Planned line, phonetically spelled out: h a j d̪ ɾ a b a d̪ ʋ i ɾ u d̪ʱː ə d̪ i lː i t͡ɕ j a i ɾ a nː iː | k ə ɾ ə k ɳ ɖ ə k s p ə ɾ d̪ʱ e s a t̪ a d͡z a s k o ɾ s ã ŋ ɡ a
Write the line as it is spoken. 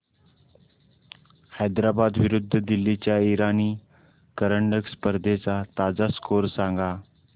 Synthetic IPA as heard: h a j d̪ ɾ a b a d̪ ʋ i ɾ u d̪ʱː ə d̪ i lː i t͡ɕ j a i ɾ a n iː | k ə ɾ ə ɳ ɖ ə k s p ə ɾ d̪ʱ e t͡s a t̪ a d͡z a s k o ɾ s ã ŋ ɡ a